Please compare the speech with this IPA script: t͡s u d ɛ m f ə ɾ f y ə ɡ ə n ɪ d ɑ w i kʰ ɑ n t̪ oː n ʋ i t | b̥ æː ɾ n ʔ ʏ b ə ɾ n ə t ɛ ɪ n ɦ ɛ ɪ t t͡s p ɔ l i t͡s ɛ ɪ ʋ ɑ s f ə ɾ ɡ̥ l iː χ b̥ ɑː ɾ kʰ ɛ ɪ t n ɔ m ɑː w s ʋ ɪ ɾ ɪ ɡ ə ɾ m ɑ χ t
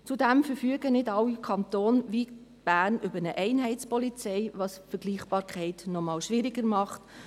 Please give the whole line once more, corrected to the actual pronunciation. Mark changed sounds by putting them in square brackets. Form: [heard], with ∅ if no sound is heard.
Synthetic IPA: t͡s u d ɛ m f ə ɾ f y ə ɡ ə n ɪ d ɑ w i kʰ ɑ n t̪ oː n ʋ i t | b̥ æː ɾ n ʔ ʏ b ə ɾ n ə [ʔ] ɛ ɪ n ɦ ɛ ɪ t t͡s p ɔ l i t͡s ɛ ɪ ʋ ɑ s f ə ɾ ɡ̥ l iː χ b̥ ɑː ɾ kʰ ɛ ɪ t n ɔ m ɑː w [ʃ] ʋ ɪ ɾ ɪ ɡ ə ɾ m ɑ χ t